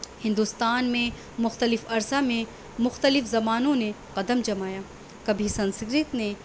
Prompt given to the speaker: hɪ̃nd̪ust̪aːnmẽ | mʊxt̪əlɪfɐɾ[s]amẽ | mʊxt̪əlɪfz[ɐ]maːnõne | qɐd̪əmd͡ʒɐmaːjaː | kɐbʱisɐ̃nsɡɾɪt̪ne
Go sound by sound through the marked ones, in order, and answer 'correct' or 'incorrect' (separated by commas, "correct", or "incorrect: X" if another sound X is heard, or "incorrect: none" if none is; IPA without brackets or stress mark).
correct, correct